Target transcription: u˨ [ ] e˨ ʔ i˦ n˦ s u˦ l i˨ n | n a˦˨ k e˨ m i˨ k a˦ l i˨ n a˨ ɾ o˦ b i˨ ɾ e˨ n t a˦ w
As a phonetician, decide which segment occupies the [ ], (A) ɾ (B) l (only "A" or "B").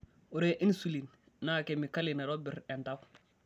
A